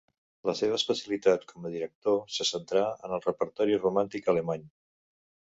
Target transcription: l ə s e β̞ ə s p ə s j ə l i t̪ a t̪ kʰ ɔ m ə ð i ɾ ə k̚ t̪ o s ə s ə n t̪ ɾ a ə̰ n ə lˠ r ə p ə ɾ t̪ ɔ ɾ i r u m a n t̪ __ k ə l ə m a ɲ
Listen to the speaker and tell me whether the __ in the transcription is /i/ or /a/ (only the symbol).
i